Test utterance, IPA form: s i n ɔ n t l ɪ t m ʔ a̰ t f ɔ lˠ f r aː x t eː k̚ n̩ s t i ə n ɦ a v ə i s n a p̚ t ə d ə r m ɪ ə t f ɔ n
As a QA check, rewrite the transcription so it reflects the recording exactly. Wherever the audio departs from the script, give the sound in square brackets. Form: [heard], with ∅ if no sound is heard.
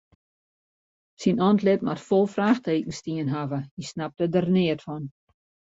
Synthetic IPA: s i n ɔ n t l ɪ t m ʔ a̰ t f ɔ lˠ f r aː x t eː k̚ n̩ s t i ə n ɦ a v ə i s n a p̚ t ə d ə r [n] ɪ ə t f ɔ n